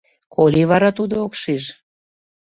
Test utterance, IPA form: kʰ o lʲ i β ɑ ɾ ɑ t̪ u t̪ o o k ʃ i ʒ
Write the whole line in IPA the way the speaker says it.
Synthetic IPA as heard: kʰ o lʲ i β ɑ ɾ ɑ t̪ u d̪ o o k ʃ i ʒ